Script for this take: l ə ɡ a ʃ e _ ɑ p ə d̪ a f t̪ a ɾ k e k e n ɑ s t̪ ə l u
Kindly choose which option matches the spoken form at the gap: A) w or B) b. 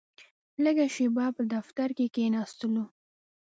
B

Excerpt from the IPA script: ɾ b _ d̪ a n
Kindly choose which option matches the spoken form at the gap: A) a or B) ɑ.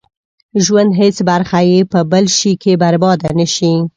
B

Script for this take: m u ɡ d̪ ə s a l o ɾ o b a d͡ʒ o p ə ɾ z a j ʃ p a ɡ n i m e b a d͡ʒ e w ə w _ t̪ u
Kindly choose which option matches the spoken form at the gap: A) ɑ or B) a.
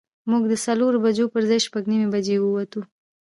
B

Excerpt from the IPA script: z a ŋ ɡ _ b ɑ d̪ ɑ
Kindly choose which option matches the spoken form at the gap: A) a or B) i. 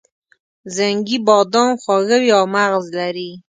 B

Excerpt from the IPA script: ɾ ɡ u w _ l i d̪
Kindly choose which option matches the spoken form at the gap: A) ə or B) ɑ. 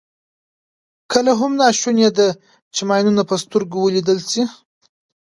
A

